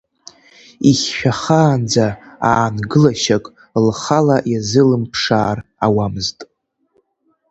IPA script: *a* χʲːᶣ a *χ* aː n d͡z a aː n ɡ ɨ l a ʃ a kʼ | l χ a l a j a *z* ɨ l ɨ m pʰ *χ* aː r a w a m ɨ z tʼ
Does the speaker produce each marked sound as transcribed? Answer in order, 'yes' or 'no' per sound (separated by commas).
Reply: no, yes, yes, no